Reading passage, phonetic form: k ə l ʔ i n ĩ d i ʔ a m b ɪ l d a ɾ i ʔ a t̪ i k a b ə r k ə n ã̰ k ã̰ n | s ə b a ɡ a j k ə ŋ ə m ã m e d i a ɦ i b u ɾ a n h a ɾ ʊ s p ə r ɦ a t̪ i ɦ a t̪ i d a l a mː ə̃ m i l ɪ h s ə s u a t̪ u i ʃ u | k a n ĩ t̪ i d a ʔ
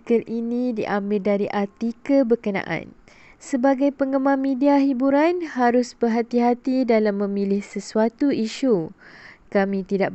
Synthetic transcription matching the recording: k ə l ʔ i n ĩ d i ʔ a m b ɪ l d a ɾ i ʔ a t̪ i k ə b ə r k ə n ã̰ ʔ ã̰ n | s ə b a ɡ a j p ə ŋ ə m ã m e d i a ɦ i b u ɾ a n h a ɾ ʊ s b ə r ɦ a t̪ i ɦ a t̪ i d a l a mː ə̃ m i l ɪ h s ə s u a t̪ u i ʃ u | k a m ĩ t̪ i d a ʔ